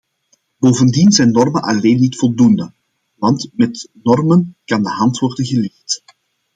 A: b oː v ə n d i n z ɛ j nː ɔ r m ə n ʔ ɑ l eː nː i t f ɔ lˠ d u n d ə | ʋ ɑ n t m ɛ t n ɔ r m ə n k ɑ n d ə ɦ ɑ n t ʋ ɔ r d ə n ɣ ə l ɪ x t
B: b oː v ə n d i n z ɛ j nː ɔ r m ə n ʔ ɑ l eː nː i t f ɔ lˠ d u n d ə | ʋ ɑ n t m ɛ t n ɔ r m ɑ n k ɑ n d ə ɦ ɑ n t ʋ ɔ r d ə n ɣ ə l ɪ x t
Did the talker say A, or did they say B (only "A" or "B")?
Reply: A